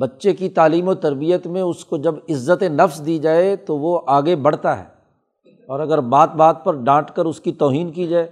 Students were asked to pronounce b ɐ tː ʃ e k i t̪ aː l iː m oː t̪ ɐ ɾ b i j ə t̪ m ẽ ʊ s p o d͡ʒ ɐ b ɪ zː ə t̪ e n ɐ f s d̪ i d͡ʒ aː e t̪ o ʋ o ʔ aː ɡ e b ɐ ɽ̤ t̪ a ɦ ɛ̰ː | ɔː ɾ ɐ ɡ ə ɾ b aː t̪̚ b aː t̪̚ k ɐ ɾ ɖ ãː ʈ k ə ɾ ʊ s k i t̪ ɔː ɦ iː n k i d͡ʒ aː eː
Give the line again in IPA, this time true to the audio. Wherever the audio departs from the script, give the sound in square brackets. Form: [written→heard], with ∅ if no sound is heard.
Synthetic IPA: b ɐ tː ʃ e k i t̪ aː l iː m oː t̪ ɐ ɾ b i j ə t̪ m ẽ ʊ s [p→k] o d͡ʒ ɐ b ɪ zː ə t̪ e n ɐ f s d̪ i d͡ʒ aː e t̪ o ʋ o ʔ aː ɡ e b ɐ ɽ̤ t̪ a ɦ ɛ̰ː | ɔː ɾ ɐ ɡ ə ɾ b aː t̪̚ b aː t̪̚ [k→p] ɐ ɾ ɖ ãː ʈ k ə ɾ ʊ s k i t̪ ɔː ɦ iː n k i d͡ʒ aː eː